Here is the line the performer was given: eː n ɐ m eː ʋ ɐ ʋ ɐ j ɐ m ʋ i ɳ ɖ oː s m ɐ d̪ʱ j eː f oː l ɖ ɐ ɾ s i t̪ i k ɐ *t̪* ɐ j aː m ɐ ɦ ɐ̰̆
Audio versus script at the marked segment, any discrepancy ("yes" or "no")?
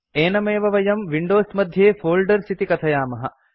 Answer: yes